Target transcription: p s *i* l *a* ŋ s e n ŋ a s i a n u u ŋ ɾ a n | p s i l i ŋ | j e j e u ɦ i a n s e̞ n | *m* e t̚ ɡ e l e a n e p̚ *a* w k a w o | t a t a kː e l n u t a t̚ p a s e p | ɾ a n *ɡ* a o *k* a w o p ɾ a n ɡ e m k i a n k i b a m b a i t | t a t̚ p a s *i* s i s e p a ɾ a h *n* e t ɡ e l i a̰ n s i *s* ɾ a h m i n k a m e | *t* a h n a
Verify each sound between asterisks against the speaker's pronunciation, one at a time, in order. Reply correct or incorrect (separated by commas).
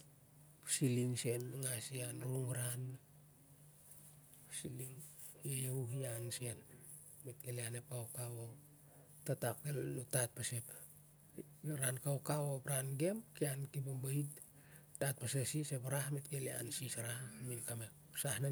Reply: correct, incorrect, correct, correct, incorrect, correct, incorrect, incorrect, correct, incorrect